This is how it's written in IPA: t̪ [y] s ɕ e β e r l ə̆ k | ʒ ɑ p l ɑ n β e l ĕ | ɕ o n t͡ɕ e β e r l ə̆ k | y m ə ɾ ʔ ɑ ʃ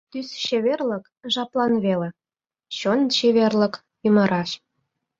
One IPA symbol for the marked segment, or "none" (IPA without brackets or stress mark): y